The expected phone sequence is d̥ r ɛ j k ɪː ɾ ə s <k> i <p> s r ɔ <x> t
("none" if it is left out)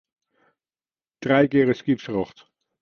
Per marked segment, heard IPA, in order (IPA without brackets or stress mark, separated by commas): k, p, χ